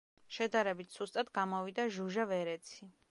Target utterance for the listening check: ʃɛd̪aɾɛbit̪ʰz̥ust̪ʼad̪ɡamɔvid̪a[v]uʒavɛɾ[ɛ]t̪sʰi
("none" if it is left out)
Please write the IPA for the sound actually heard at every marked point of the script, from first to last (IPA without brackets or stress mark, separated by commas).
ʒ, ɛ